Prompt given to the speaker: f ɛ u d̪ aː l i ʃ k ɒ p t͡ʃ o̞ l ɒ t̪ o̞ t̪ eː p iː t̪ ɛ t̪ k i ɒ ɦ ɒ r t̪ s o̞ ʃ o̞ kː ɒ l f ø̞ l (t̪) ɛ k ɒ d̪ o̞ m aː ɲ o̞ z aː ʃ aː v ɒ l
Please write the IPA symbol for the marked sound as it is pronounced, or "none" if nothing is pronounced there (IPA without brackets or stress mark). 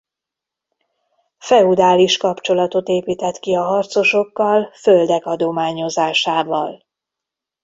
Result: d̪